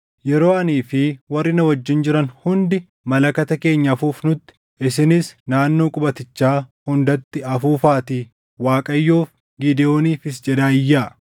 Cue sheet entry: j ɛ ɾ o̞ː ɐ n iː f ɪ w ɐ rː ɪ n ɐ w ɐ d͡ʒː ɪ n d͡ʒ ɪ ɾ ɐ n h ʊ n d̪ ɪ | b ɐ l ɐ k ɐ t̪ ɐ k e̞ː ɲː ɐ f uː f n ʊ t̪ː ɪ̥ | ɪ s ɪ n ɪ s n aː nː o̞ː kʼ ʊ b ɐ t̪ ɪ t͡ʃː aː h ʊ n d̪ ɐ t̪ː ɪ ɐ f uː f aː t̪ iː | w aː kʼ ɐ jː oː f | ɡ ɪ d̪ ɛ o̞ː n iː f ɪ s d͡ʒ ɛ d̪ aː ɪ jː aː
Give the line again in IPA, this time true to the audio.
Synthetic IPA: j ɛ ɾ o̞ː ɐ n iː f ɪ w ɐ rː ɪ n ɐ w ɐ d͡ʒː ɪ n d͡ʒ ɪ ɾ ɐ n h ʊ n d̪ ɪ | m ɐ l ɐ k ɐ t̪ ɐ k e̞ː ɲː ɐ f uː f n ʊ t̪ː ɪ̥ | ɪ s ɪ n ɪ s n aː nː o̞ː kʼ ʊ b ɐ t̪ ɪ t͡ʃː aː h ʊ n d̪ ɐ t̪ː ɪ ɐ f uː f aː t̪ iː | w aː kʼ ɐ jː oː f | ɡ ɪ d̪ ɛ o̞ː n iː f ɪ s d͡ʒ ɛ d̪ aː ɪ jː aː